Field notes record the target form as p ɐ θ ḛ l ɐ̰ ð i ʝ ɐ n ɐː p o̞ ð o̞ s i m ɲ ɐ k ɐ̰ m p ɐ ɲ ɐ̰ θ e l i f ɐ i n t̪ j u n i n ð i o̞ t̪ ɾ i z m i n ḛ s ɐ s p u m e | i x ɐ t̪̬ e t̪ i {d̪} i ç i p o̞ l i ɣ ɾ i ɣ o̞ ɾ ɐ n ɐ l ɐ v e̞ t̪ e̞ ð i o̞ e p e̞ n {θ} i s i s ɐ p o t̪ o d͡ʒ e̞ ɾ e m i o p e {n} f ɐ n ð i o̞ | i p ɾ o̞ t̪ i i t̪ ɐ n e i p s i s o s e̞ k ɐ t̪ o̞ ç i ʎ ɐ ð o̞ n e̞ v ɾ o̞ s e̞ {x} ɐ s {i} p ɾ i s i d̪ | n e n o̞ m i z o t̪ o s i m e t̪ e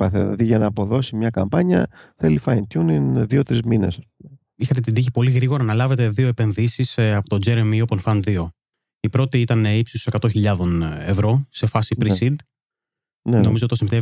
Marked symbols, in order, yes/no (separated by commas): yes, no, yes, no, yes